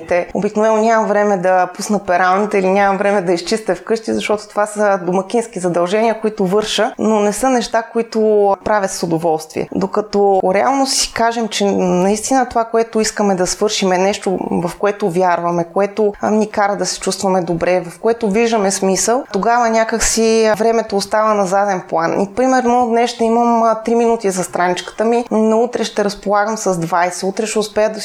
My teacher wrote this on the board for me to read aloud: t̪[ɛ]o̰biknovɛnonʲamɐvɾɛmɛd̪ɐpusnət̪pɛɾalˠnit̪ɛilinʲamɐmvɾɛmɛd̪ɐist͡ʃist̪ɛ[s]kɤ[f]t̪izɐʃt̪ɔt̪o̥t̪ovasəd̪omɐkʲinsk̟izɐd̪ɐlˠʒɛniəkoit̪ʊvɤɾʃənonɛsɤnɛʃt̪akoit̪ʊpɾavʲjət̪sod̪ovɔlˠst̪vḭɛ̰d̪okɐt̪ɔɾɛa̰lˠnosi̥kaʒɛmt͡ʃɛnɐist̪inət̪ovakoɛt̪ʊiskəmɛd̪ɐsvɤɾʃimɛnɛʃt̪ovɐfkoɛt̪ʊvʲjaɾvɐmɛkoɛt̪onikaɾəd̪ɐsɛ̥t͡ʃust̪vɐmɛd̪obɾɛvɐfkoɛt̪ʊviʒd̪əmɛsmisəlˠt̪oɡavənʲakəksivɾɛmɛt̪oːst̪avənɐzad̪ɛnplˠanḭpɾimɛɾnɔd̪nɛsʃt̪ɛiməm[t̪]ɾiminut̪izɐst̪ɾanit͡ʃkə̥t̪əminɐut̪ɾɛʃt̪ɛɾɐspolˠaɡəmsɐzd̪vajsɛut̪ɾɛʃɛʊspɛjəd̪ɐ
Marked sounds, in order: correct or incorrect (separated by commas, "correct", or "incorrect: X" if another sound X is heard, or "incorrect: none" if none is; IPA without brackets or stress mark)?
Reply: correct, incorrect: f, incorrect: ʃ, correct